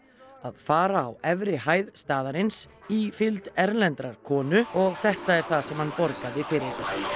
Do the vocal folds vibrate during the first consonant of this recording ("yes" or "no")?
yes